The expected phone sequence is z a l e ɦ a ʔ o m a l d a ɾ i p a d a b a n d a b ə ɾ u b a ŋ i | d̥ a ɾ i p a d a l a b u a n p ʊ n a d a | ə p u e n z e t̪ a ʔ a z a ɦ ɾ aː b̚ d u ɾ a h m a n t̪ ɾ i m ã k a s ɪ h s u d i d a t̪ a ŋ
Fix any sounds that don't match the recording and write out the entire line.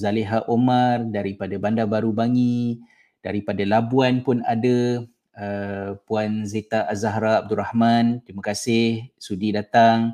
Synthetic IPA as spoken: z a l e ɦ a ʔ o m a r d a ɾ i p a d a b a n d a b a ɾ u b a ŋ i | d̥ a ɾ i p a d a l a b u a n p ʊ n a d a | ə p u a n z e t̪ a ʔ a z a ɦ ɾ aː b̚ d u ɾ a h m a n t̪ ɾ i m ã k a s ɪ h s u d i d a t̪ a ŋ